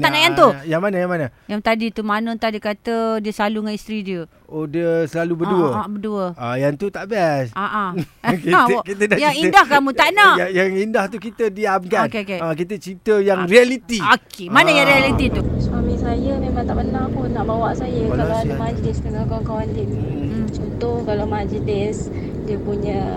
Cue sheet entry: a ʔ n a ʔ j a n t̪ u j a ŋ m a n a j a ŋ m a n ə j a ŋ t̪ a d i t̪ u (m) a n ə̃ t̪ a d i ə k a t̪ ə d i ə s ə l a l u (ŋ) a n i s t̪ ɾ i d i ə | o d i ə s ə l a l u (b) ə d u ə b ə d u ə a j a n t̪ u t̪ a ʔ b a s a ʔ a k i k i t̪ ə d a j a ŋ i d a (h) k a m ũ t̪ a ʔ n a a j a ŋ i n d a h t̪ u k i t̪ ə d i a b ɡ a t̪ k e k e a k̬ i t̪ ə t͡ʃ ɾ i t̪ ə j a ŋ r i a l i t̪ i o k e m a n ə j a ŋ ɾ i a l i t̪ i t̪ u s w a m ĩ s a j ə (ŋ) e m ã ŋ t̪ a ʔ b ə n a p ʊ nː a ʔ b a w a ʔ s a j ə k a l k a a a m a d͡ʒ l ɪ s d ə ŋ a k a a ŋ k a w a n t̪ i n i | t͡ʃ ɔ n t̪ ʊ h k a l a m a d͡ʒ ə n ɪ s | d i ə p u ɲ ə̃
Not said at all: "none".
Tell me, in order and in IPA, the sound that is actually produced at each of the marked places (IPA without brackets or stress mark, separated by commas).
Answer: m, ŋ, b, h, m